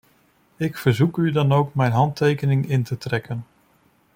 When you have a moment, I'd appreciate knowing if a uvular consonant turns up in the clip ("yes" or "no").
no